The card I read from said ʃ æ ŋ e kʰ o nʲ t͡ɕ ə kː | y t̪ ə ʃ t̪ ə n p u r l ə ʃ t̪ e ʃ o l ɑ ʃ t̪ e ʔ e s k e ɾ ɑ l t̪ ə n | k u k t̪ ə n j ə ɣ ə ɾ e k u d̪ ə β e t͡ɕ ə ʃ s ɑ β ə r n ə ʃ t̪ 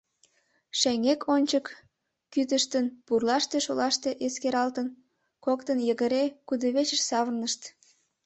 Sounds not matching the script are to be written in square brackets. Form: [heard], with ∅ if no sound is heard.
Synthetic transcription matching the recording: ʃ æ ŋ e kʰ o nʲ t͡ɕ ə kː | y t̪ ə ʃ t̪ ə n p u r l [ɑ] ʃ t̪ e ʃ o l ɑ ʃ t̪ e ʔ e s k e ɾ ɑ l t̪ ə n | k [o] k t̪ ə n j ə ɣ ə ɾ e k u d̪ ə β e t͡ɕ ə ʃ s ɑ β ə r n ə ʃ t̪